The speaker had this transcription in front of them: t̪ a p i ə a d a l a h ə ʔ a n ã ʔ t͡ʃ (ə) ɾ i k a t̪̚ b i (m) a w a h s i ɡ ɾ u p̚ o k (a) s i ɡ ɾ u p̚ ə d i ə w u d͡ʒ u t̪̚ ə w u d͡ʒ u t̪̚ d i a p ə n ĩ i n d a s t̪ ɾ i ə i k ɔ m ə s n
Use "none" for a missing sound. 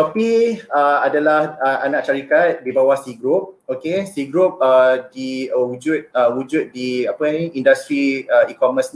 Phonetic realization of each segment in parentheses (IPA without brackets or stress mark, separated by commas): a, b, e